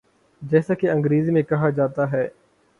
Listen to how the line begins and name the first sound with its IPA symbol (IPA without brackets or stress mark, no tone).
d͡ʒ